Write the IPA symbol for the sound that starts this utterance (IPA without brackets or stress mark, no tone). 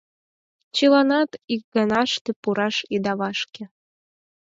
t͡ɕ